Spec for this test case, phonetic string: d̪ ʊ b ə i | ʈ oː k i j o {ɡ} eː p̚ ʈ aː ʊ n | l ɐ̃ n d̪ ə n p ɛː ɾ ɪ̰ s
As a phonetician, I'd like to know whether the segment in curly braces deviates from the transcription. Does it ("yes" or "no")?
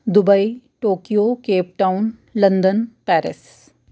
yes